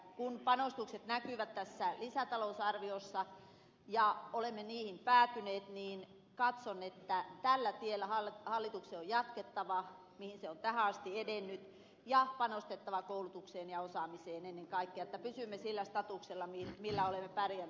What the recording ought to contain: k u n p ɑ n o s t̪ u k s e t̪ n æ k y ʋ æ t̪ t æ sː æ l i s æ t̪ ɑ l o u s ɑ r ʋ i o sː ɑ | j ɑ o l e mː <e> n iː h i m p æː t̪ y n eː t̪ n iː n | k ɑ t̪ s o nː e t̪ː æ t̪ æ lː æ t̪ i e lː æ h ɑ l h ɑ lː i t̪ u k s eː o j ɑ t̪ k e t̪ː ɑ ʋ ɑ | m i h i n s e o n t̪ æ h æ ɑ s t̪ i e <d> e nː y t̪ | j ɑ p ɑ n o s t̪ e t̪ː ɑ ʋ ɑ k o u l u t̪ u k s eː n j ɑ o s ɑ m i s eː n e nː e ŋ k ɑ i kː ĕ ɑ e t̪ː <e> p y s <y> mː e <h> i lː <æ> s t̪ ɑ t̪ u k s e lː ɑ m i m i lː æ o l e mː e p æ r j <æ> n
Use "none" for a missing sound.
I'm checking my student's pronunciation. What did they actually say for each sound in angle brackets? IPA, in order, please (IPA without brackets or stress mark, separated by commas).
e, d, æ, y, s, æ, æ